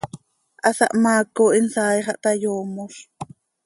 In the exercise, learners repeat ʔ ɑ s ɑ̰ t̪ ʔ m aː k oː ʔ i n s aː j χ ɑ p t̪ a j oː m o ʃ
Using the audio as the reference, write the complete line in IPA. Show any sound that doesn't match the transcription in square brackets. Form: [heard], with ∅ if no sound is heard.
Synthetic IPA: ʔ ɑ s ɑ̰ [∅] ʔ m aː k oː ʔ i n s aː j χ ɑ [ʔ] t̪ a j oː m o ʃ